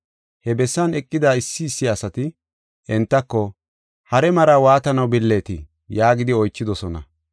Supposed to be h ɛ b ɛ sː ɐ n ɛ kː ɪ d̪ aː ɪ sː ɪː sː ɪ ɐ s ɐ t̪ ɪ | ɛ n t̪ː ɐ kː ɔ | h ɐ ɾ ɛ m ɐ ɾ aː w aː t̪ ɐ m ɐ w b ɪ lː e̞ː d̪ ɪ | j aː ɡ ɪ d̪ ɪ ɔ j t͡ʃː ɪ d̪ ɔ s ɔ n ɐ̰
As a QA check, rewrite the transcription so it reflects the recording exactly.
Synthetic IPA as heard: h ɛ b ɛ sː ɐ n ɛ kʼː ɪ d̪ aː ɪ sː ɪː sː ɪ ɐ s ɐ t̪ ɪ | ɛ n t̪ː ɐ kː ɔ | h ɐ ɾ ɛ m ɐ ɾ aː w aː t̪ ɐ n ɐ w b ɪ lː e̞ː t̪ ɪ | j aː ɡ ɪ d̪ ɪ ɔ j t͡ʃː ɪ d̪ ɔ s ɔ n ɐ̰